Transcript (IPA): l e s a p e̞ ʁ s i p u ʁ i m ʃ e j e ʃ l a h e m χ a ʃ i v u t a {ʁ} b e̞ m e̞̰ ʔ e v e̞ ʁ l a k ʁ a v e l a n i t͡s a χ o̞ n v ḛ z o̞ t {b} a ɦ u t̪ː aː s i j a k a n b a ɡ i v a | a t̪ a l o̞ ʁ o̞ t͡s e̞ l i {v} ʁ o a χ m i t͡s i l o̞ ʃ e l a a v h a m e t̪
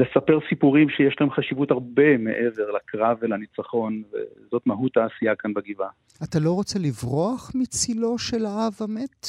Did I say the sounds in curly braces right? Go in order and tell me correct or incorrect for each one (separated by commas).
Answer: correct, incorrect, correct